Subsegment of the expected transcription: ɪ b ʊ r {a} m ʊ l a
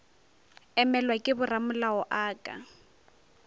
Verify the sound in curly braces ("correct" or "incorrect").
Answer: correct